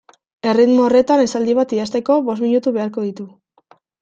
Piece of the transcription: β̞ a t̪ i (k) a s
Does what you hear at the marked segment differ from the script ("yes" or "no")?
yes